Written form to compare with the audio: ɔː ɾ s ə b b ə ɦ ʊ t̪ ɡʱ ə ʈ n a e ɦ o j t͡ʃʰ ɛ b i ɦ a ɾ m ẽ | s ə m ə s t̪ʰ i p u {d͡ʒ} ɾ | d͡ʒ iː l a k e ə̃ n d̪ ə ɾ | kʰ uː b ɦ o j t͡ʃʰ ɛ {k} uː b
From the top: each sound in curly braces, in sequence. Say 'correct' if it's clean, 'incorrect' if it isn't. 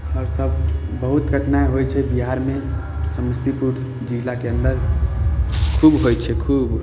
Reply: incorrect: none, incorrect: kʰ

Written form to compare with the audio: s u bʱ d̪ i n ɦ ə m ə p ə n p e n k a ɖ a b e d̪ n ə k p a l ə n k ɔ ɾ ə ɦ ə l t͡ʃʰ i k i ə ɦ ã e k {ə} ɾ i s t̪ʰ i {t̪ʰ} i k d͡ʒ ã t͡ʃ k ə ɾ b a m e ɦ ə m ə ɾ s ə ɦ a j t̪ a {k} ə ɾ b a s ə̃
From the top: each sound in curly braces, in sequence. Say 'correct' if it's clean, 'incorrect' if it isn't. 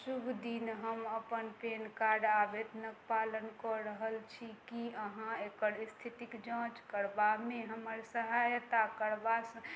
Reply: correct, incorrect: t̪, correct

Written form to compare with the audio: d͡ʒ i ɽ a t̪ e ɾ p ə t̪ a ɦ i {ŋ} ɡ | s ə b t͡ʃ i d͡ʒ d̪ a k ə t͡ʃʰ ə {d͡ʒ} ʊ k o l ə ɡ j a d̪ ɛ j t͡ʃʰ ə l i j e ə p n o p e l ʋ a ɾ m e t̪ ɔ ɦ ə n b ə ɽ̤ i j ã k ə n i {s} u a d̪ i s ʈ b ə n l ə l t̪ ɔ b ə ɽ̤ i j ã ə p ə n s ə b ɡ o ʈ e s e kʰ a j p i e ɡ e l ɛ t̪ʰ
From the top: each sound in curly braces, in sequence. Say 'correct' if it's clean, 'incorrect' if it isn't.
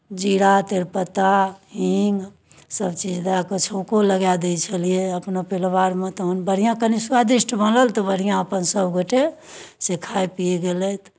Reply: correct, incorrect: none, correct

